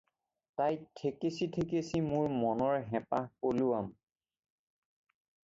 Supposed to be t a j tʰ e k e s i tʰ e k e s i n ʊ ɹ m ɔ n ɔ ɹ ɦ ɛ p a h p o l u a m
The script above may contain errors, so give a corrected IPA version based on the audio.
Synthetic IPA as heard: t a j tʰ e k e s i tʰ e k e s i m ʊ ɹ m ɔ n ɔ ɹ ɦ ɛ p a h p o l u a m